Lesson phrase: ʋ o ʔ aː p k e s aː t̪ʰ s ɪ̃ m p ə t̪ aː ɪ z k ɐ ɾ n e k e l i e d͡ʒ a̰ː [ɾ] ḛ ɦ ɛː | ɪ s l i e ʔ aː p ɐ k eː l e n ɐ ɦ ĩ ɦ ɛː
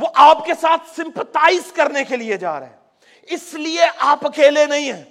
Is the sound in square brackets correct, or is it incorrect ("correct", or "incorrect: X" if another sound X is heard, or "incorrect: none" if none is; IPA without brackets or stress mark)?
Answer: correct